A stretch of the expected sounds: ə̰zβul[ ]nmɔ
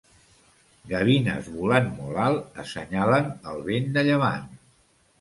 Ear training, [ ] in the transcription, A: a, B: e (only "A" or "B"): A